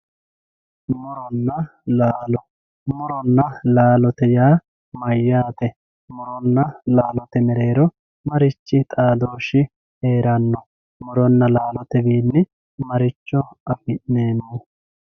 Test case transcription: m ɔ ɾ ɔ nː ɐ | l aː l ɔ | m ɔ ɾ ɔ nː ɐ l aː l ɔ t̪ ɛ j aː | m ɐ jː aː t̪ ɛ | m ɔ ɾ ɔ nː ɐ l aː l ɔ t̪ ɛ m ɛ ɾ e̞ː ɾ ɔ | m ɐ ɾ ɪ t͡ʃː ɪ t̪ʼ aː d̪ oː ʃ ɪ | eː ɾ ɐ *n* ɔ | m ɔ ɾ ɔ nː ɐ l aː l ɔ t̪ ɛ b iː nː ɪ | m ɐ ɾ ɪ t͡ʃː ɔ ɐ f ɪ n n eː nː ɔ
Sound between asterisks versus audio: incorrect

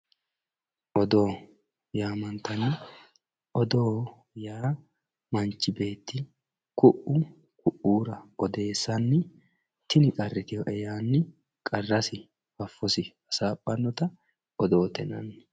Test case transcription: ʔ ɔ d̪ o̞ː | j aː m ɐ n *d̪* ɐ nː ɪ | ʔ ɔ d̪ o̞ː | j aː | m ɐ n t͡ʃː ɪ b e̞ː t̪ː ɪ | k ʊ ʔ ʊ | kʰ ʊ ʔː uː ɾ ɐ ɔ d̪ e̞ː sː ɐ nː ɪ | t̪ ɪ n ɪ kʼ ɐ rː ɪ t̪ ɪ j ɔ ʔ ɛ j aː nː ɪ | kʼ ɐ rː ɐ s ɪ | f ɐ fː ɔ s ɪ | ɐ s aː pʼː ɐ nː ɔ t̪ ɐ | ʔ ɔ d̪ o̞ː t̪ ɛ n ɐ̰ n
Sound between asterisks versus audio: incorrect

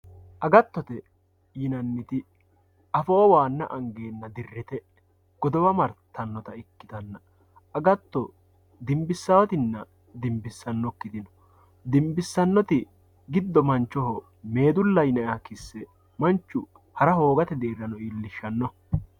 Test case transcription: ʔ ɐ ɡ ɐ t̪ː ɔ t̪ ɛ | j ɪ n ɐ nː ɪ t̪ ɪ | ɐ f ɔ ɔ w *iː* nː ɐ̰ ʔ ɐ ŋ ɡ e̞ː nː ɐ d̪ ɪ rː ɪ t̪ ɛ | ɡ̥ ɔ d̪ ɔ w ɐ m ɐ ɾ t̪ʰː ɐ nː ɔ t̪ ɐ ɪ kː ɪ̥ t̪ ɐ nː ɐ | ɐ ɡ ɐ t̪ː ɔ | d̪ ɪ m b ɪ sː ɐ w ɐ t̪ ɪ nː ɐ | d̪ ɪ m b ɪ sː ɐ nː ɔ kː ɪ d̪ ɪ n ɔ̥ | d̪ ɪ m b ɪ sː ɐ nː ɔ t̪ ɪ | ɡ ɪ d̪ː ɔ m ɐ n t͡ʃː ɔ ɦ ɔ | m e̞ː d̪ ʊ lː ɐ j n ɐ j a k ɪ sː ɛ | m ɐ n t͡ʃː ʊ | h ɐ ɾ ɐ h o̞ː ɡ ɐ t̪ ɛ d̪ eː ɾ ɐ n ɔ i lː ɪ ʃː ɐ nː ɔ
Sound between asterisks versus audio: incorrect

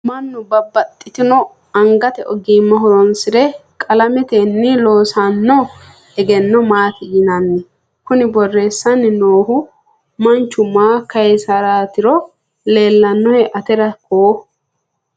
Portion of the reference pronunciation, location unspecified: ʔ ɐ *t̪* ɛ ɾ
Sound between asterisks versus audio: correct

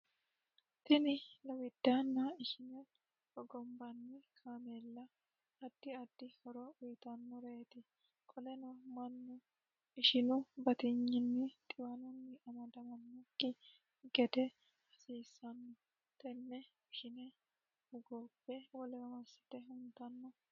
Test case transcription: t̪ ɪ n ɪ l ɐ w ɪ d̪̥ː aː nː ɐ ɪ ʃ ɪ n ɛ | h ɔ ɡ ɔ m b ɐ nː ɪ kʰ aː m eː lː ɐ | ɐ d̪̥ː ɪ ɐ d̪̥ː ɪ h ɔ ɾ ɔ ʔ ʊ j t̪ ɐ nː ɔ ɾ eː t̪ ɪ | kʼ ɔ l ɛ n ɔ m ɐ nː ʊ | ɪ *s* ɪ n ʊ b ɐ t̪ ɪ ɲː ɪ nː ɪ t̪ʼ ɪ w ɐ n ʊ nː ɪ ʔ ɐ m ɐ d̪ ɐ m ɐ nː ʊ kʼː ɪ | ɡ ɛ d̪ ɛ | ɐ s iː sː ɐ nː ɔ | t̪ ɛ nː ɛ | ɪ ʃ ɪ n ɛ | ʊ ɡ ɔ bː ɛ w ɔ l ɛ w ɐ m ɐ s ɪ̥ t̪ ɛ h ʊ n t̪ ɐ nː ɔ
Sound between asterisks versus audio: incorrect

